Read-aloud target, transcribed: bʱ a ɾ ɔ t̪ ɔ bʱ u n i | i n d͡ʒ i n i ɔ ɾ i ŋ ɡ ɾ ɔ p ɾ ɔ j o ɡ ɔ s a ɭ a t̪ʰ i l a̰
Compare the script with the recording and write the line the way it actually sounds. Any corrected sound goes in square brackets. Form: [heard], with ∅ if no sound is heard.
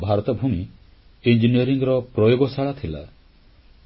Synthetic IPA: bʱ a ɾ ɔ t̪ ɔ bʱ u [m] i | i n d͡ʒ i n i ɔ ɾ i ŋ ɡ ɾ ɔ p ɾ ɔ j o ɡ ɔ s a ɭ a t̪ʰ i l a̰

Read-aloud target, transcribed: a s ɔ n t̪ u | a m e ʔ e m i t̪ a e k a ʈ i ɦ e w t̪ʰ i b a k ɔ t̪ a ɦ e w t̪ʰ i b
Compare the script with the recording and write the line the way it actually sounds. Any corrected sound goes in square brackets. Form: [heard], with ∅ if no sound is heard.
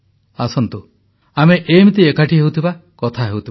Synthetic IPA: a s ɔ n t̪ u | a m e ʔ e m i t̪ [i] e k a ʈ i ɦ e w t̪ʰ i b a k ɔ [t̪ʰ] a ɦ e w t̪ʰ i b

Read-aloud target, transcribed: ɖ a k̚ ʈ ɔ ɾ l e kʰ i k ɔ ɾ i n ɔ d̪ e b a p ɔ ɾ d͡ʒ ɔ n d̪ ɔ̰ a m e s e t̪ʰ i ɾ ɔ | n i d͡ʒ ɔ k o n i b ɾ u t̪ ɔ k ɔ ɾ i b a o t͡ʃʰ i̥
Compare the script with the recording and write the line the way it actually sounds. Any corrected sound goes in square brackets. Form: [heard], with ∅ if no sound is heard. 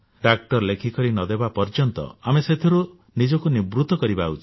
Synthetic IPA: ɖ a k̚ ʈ ɔ ɾ l e kʰ i k ɔ ɾ i n ɔ d̪ e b a p ɔ ɾ d͡ʒ ɔ n [t̪] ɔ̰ a m e s e t̪ʰ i ɾ [u] | n i d͡ʒ ɔ k [u] n i b ɾ u t̪ ɔ k ɔ ɾ i b a [u] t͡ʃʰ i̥

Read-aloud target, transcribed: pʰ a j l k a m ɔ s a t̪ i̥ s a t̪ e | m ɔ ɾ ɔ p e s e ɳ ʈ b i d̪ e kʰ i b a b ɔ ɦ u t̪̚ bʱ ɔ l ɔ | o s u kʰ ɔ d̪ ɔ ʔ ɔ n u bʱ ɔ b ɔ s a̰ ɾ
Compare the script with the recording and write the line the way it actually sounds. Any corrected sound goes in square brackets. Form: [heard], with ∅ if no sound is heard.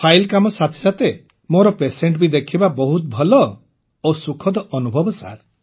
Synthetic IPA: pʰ a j l k a m ɔ s a [t̪ʰ] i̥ s a t̪ e | m [o] ɾ ɔ p e s e ɳ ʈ b i d̪ e kʰ i b a b ɔ ɦ u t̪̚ bʱ ɔ l ɔ | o s u kʰ ɔ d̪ ɔ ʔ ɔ n u bʱ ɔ b ɔ s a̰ ɾ

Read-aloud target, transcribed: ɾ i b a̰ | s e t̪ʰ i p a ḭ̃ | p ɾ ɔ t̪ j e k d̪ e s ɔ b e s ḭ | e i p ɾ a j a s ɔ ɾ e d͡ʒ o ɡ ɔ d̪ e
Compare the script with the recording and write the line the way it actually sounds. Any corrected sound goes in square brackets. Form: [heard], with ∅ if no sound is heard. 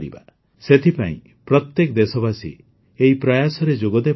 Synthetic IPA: ɾ i b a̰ | s e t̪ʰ i p a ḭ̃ | p ɾ ɔ t̪ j e k d̪ e s ɔ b [a] s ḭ | e i p ɾ a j a s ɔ ɾ e d͡ʒ o ɡ ɔ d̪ e

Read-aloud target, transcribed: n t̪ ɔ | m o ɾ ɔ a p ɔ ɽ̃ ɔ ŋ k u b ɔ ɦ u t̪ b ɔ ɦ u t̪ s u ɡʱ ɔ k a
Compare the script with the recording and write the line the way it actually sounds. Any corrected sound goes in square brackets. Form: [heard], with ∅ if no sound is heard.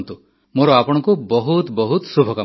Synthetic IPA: n t̪ [u] | m o ɾ ɔ a p ɔ ɽ̃ ɔ ŋ k u b ɔ ɦ u t̪ b ɔ ɦ u t̪ s u [bʱ] ɔ k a

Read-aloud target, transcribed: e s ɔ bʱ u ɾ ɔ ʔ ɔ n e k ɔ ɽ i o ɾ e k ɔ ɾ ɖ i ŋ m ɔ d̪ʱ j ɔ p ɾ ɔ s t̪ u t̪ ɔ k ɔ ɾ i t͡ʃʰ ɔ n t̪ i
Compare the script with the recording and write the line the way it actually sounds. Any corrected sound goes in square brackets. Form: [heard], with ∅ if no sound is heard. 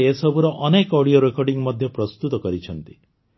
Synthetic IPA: e s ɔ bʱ u ɾ ɔ ʔ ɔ n e k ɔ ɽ i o ɾ e k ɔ ɾ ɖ i ŋ m ɔ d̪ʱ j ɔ p ɾ ɔ s t̪ u t̪ ɔ k ɔ ɾ i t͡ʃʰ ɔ n t̪ i

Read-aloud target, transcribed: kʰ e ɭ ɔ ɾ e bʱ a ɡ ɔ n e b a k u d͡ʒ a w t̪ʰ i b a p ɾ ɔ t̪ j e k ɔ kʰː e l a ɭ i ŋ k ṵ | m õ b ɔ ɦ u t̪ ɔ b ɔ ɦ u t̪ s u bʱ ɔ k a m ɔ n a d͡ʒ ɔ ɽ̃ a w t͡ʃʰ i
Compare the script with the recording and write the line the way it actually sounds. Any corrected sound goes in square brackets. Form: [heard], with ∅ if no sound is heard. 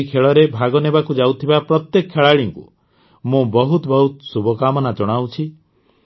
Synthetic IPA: kʰ e ɭ ɔ ɾ e bʱ a ɡ ɔ n e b a k u d͡ʒ a w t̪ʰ i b a p ɾ ɔ t̪ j e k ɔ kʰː e [ɭ] a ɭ i ŋ k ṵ | m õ b ɔ ɦ u t̪ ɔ b ɔ ɦ u t̪ s u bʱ ɔ k a m ɔ n a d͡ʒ ɔ ɽ̃ a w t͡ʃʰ i

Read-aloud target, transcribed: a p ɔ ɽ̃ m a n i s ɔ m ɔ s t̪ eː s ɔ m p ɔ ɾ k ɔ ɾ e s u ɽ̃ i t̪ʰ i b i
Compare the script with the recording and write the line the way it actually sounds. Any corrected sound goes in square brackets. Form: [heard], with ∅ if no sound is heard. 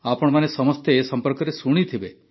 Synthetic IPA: a p ɔ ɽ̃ m a n [e] s ɔ m ɔ s t̪ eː s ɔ m p ɔ ɾ k ɔ ɾ e s u ɽ̃ i t̪ʰ i b [e]

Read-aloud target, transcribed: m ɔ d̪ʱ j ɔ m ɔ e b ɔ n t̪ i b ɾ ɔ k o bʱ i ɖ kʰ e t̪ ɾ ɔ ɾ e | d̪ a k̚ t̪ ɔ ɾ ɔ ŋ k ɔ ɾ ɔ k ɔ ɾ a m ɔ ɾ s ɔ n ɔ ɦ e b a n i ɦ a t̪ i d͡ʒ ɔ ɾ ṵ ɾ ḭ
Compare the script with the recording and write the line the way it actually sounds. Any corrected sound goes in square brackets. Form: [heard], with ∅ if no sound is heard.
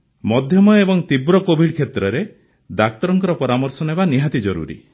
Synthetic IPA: m ɔ d̪ʱ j ɔ m ɔ e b ɔ [ŋ] t̪ i b ɾ ɔ k o bʱ i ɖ kʰ e t̪ ɾ ɔ ɾ e | d̪ a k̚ t̪ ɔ ɾ ɔ ŋ k ɔ ɾ ɔ [p] ɔ ɾ a m ɔ ɾ s ɔ n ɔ ɦ e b a n i ɦ a t̪ i d͡ʒ ɔ ɾ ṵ ɾ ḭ

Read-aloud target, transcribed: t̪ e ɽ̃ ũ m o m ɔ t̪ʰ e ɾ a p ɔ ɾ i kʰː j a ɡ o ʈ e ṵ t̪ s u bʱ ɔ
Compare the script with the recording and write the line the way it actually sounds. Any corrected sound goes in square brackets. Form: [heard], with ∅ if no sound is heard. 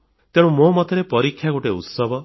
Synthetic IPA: t̪ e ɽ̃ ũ m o m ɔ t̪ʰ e ɾ [e] p ɔ ɾ i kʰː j a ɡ o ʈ e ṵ t̪ s [ɔ] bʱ ɔ

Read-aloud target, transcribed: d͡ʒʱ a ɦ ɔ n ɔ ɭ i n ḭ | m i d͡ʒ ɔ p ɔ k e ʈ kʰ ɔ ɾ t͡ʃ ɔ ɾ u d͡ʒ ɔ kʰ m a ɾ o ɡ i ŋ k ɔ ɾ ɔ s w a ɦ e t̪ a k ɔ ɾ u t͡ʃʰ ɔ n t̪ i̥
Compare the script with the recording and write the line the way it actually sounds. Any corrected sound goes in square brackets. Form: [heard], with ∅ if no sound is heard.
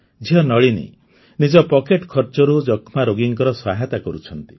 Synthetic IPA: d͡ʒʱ [i] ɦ ɔ n ɔ ɭ i n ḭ | [n] i d͡ʒ ɔ p ɔ k e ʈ kʰ ɔ ɾ t͡ʃ ɔ ɾ u d͡ʒ ɔ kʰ m a ɾ o ɡ i ŋ k ɔ ɾ ɔ s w a ɦ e t̪ a k ɔ ɾ u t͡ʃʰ ɔ n t̪ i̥

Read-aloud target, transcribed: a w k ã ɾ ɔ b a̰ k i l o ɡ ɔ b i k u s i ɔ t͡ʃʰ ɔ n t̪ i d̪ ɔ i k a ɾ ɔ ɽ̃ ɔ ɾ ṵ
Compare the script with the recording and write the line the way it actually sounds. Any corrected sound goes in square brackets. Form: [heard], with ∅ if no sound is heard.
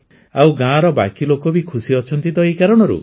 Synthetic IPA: a w [ɡ] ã ɾ ɔ b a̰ k i l o [k] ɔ b i [kʰ] u s i ɔ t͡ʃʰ ɔ n t̪ i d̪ ɔ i k a ɾ ɔ ɽ̃ ɔ ɾ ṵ

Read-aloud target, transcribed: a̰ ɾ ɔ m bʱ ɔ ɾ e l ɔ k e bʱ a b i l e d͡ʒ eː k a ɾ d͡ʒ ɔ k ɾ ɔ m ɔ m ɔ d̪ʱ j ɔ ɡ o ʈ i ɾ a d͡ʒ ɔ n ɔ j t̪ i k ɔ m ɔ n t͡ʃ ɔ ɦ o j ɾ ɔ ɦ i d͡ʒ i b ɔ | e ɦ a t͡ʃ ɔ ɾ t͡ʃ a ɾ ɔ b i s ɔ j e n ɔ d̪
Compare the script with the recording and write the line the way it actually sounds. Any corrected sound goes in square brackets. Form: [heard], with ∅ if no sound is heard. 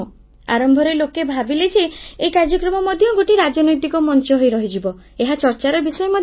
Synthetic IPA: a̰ ɾ ɔ m bʱ ɔ ɾ e l [o] k e bʱ a b i l e d͡ʒ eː k a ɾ d͡ʒ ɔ k ɾ ɔ m ɔ m ɔ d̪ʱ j ɔ ɡ o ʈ i ɾ a d͡ʒ ɔ n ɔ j t̪ i k ɔ m ɔ n t͡ʃ ɔ ɦ o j ɾ ɔ ɦ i d͡ʒ i b ɔ | e ɦ a t͡ʃ ɔ ɾ t͡ʃ a ɾ ɔ b i s ɔ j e [m] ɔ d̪

